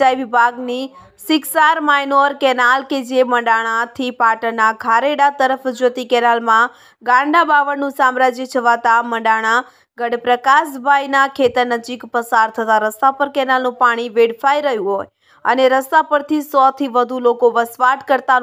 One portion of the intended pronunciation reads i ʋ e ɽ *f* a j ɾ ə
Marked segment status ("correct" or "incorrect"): correct